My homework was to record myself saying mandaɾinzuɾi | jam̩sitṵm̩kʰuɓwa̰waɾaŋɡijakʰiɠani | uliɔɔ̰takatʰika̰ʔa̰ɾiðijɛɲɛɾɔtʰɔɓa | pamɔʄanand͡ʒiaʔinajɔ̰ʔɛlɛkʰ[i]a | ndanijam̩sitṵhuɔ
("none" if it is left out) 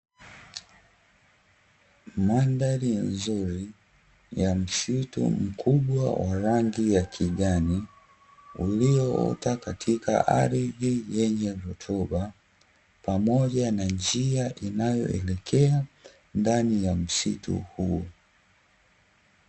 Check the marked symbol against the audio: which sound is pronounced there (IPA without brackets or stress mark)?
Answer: ɛ